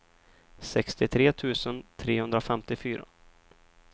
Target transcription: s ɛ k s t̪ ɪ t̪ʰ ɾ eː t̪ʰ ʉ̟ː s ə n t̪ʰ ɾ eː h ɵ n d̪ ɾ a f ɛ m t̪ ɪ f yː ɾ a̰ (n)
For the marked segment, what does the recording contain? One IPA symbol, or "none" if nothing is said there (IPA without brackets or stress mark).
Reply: none